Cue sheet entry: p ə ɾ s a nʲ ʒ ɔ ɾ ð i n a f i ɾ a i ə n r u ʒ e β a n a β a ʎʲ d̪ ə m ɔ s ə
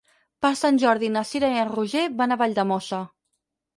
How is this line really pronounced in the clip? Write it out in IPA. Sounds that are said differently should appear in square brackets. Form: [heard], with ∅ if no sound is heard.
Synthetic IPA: p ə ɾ s a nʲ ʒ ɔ ɾ ð i n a [s] i ɾ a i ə n r u ʒ e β a n a β a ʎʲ d̪ ə m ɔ s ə